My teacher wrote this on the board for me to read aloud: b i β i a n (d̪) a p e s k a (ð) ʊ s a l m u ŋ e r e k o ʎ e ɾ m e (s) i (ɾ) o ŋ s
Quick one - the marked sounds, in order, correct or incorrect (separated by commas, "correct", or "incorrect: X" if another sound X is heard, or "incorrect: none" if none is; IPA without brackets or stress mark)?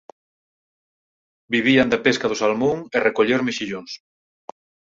correct, correct, incorrect: ʃ, incorrect: ʎ